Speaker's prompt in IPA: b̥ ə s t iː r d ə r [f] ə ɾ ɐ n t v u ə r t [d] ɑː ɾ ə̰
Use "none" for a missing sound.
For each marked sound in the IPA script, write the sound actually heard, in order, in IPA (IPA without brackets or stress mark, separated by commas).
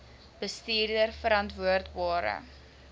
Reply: f, b